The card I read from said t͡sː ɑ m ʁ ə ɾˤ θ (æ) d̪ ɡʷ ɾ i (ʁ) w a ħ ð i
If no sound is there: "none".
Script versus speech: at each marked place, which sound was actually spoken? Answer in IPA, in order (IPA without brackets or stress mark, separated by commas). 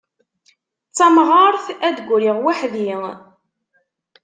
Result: æ, ʁ